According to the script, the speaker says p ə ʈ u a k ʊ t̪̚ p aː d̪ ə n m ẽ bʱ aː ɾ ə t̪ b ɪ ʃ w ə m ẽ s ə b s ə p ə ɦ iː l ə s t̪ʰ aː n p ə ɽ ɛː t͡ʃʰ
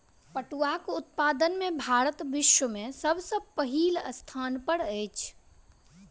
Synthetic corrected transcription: p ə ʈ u a k ʊ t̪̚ p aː d̪ ə n m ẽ bʱ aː ɾ ə t̪ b ɪ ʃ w ə m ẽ s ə b s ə p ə ɦ iː l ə s t̪ʰ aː n p ə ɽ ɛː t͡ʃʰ